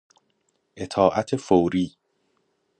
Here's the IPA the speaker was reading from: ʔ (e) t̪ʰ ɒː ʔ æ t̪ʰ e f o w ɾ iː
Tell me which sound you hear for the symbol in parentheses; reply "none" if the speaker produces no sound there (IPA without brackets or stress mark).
e